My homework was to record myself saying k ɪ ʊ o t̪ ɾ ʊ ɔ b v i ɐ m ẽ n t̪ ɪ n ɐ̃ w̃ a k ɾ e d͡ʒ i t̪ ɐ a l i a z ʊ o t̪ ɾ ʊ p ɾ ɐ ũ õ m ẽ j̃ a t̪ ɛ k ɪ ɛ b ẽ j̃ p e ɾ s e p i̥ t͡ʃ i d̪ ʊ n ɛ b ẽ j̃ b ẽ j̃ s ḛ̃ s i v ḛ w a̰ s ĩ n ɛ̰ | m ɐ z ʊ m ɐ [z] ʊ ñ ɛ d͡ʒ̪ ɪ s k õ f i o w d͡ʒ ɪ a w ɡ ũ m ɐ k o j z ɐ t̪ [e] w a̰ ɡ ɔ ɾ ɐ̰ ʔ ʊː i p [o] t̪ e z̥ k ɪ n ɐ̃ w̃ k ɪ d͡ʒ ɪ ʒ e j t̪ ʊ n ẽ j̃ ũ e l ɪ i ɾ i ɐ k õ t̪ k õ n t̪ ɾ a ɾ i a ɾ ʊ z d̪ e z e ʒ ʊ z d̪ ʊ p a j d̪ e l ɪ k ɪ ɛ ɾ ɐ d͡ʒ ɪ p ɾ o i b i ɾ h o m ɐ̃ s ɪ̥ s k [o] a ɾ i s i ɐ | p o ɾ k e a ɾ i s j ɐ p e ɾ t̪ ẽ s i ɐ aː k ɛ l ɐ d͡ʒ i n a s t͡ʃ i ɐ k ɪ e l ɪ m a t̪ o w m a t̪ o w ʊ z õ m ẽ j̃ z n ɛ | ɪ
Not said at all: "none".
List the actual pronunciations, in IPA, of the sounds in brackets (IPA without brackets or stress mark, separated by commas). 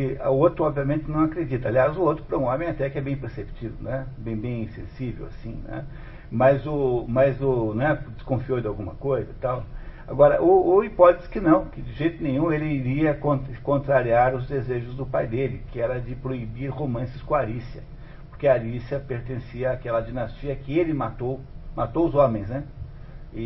z, a, ɔ, õ